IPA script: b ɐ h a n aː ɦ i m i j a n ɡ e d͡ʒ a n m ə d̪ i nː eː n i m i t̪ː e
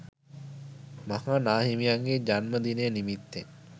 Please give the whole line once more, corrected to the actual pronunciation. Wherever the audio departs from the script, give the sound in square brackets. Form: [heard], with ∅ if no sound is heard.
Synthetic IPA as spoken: [m] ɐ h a n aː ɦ i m i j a [ŋ] ɡ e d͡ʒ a n m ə d̪ i [n] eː n i m i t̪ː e